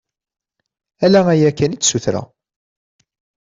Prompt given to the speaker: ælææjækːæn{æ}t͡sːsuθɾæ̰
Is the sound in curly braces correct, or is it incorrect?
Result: incorrect